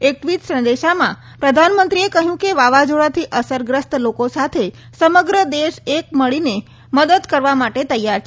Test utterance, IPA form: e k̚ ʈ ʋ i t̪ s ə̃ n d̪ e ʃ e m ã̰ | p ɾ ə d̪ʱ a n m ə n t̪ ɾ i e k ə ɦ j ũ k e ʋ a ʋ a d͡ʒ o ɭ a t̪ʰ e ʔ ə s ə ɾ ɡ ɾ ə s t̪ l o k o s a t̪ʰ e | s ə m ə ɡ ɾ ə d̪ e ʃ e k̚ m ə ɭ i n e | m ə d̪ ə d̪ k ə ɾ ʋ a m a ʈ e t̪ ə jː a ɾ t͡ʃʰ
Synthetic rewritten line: e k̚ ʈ ʋ i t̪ s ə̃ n d̪ e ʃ a m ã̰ | p ɾ ə d̪ʱ a n m ə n t̪ ɾ i e k ə ɦ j ũ k e ʋ a ʋ a d͡ʒ o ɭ a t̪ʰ i ʔ ə s ə ɾ ɡ ɾ ə s t̪ l o k o s a t̪ʰ e | s ə m ə ɡ ɾ ə d̪ e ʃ e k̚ m ə ɭ i n e | m ə d̪ ə d̪ k ə ɾ ʋ a m a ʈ e t̪ ə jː a ɾ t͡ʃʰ